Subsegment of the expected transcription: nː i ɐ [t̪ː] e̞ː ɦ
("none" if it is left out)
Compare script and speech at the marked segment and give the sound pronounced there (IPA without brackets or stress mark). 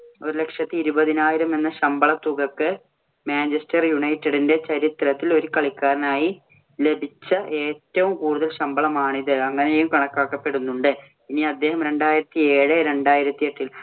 d̪ː